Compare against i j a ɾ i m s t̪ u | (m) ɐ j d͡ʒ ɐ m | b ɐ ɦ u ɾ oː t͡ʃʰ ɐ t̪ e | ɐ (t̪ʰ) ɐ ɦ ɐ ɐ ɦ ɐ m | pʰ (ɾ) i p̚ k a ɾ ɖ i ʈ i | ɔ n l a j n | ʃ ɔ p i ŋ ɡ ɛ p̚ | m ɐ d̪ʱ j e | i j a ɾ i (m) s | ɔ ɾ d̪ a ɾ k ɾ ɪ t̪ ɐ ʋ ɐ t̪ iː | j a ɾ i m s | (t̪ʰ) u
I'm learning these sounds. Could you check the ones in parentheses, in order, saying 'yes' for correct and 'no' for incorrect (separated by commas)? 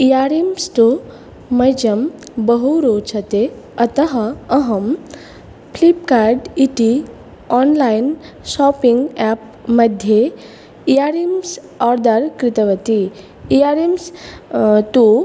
yes, no, no, yes, no